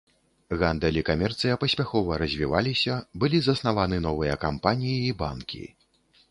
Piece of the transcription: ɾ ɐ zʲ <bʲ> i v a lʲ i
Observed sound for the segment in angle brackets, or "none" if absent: vʲ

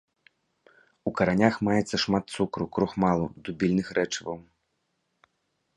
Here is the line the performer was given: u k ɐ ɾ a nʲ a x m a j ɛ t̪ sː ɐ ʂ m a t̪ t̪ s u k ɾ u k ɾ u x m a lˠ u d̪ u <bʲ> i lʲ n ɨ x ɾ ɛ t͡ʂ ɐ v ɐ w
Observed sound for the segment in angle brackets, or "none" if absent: bʲ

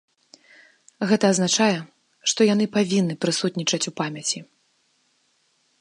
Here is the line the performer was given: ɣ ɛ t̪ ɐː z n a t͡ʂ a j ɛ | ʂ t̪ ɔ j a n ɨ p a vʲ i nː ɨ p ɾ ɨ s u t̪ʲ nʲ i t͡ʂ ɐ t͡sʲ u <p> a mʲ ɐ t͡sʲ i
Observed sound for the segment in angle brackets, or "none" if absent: p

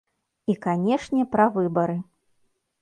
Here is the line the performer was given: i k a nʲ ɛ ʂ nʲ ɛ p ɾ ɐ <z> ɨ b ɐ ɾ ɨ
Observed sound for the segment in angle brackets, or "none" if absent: v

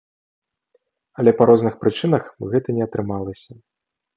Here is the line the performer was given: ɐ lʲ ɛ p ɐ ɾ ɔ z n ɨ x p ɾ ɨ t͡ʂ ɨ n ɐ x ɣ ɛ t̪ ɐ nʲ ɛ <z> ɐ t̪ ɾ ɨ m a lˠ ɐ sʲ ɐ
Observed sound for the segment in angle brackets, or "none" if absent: none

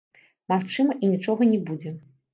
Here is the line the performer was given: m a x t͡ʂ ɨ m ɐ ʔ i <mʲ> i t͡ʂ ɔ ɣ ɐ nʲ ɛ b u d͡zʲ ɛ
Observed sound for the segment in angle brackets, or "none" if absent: nʲ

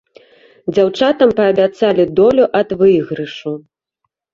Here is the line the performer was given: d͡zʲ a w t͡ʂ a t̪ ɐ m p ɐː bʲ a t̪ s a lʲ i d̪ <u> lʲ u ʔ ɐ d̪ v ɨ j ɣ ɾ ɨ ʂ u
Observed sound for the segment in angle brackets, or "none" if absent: ɔ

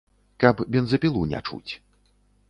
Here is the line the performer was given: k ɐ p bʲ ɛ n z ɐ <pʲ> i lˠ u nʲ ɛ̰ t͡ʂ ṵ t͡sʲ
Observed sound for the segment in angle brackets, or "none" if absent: pʲ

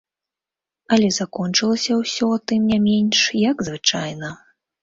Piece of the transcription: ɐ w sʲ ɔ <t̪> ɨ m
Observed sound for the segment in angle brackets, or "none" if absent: t̪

